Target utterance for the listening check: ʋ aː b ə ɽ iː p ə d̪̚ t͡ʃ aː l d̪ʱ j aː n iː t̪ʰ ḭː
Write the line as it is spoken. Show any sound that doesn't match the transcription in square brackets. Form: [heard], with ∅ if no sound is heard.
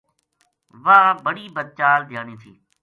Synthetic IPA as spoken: ʋ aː b ə ɽ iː [b] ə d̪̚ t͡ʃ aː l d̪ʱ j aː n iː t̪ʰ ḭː